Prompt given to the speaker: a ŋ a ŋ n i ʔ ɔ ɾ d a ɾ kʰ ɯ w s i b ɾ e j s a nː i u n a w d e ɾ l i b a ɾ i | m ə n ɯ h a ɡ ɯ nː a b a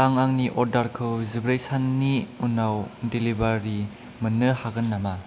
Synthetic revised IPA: a ŋ a ŋ n i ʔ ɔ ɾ d a ɾ kʰ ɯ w z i b ɾ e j s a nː i u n a w d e l i b a ɾ i | m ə n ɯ h a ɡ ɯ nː a m a